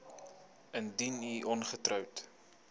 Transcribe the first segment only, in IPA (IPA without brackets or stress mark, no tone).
ə